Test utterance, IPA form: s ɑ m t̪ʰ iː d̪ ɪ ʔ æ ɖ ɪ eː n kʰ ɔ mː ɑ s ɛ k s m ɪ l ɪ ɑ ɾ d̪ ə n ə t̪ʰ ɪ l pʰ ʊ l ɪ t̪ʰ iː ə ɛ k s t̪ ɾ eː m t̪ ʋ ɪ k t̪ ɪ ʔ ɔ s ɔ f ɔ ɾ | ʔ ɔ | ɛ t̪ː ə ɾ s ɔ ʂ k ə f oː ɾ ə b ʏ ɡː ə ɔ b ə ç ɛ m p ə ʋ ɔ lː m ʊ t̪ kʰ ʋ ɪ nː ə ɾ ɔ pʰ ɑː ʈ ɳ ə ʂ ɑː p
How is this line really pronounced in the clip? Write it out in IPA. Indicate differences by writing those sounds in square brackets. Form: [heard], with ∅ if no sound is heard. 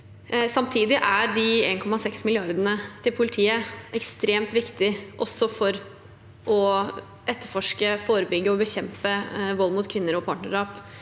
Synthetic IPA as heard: s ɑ m t̪ʰ iː d̪ ɪ ʔ æ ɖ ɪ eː n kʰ ɔ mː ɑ s ɛ k s m ɪ l ɪ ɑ ɾ d̪ ə n ə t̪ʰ ɪ l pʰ ʊ l ɪ t̪ʰ iː ə ɛ k s t̪ ɾ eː m t̪ ʋ ɪ k t̪ ɪ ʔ ɔ s ɔ f ɔ ɾ | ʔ ɔ | ɛ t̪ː ə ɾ [f] ɔ ʂ k ə f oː ɾ ə b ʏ ɡː ə ɔ b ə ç ɛ m p ə ʋ ɔ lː m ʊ t̪ kʰ ʋ ɪ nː ə ɾ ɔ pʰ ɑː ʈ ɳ ə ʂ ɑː p

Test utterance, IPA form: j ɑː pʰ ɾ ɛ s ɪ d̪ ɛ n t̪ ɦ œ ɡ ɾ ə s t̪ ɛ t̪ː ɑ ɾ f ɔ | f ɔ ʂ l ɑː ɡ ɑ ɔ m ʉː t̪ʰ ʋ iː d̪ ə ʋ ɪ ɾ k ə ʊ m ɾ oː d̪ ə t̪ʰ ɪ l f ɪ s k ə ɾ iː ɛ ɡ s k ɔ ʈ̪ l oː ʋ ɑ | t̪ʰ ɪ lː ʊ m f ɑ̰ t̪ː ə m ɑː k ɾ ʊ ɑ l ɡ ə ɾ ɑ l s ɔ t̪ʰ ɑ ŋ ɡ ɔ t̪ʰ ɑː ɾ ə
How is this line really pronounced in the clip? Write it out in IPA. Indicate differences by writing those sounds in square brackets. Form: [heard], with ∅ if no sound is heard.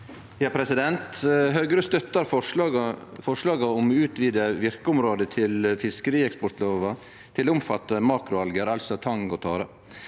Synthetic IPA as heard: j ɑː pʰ ɾ ɛ s ɪ d̪ ɛ n t̪ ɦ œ ɡ ɾ ə s t̪ [œ] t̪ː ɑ ɾ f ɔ | f ɔ ʂ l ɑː ɡ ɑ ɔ m ʉː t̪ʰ ʋ iː d̪ ə ʋ ɪ ɾ k ə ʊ m ɾ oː d̪ ə t̪ʰ ɪ l f ɪ s k ə ɾ iː ɛ [k] s [p] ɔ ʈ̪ l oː ʋ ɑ | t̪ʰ ɪ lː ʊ m f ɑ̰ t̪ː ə m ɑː k ɾ ʊ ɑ l ɡ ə ɾ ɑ l s ɔ t̪ʰ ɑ ŋ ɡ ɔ t̪ʰ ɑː ɾ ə

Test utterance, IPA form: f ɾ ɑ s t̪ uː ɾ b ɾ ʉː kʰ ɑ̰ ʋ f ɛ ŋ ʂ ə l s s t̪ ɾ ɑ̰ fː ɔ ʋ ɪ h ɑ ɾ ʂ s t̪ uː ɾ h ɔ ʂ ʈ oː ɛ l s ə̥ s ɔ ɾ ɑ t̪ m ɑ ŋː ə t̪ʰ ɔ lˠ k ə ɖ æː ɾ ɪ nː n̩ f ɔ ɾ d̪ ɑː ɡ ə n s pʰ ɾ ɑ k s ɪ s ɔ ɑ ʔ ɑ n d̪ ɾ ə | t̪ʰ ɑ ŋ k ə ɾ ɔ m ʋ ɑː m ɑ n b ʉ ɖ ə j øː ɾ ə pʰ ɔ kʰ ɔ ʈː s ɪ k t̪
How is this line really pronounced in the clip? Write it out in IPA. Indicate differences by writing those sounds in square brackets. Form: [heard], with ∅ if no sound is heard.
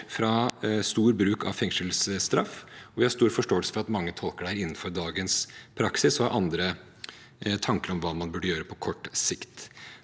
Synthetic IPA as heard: f ɾ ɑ s t̪ uː ɾ b ɾ ʉː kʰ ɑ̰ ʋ f ɛ ŋ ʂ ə l s s t̪ ɾ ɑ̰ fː ɔ ʋ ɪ h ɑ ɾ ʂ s t̪ uː ɾ [f] ɔ ʂ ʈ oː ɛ l s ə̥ [f] ɔ ɾ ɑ t̪ m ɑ ŋː ə t̪ʰ ɔ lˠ k ə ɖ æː ɾ ɪ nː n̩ f ɔ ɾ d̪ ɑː ɡ ə n s pʰ ɾ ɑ k s ɪ s ɔ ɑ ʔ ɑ n d̪ ɾ ə | t̪ʰ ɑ ŋ k ə ɾ ɔ m ʋ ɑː m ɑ n b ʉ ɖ ə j øː ɾ ə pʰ ɔ kʰ ɔ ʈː s ɪ k t̪

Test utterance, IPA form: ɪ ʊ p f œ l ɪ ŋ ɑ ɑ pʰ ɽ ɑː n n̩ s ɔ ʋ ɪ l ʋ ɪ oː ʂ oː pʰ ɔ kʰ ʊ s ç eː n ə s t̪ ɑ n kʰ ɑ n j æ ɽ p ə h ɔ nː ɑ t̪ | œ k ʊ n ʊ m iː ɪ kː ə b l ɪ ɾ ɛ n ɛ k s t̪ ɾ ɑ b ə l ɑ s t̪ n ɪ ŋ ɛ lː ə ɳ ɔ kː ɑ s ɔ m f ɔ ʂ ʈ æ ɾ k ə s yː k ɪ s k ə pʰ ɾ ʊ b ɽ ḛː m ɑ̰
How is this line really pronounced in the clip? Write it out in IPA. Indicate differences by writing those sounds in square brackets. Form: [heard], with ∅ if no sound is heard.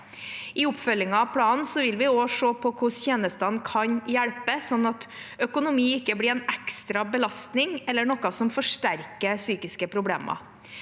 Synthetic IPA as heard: ɪ ʊ p f œ l ɪ ŋ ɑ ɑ pʰ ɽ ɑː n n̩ s ɔ ʋ ɪ l ʋ ɪ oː ʂ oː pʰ ɔ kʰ ʊ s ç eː n ə s t̪ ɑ n kʰ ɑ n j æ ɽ p ə [s] ɔ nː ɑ t̪ | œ k ʊ n ʊ m iː ɪ kː ə b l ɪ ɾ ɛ n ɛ k s t̪ ɾ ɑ b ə l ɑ s t̪ n ɪ ŋ ɛ lː ə ɳ ɔ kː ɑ s ɔ m f ɔ ʂ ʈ æ ɾ k ə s yː k ɪ s k ə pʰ ɾ ʊ b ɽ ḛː m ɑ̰

